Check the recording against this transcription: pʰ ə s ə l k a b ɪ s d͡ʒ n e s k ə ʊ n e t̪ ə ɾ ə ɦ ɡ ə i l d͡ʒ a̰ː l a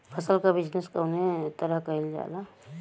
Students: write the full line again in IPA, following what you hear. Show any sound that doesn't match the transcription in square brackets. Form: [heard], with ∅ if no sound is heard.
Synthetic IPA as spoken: pʰ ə s ə l k a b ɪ [∅] d͡ʒ n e s k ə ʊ n e t̪ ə ɾ ə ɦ [k] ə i l d͡ʒ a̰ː l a